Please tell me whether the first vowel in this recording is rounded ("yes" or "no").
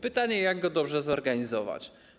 no